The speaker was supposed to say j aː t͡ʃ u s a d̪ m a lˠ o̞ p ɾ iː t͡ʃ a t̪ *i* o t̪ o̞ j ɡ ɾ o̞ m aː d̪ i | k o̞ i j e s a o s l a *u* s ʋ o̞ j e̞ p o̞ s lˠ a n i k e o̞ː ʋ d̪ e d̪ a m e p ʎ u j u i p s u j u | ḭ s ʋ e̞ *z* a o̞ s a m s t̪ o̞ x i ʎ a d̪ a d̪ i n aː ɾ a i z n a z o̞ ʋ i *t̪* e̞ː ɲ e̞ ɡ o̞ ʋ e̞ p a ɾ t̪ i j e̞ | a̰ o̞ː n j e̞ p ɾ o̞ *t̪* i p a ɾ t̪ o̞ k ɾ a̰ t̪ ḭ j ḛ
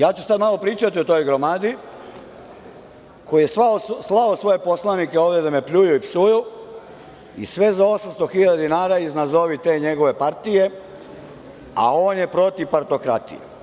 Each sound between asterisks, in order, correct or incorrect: correct, incorrect, correct, correct, correct

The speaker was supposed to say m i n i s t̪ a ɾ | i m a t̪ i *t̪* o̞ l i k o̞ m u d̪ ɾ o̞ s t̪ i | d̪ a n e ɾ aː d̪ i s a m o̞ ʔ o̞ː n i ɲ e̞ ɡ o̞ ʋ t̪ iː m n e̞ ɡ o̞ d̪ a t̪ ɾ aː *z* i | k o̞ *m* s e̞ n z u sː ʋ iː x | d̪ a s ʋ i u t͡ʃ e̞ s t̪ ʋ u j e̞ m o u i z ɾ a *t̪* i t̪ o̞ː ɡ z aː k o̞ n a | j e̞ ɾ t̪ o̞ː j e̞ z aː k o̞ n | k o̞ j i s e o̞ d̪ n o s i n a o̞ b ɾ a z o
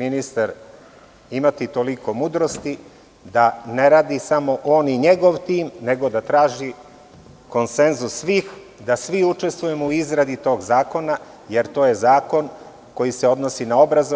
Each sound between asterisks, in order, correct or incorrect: correct, incorrect, incorrect, incorrect

